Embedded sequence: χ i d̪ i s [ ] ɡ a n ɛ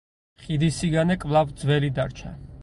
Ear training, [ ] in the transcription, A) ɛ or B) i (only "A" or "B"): B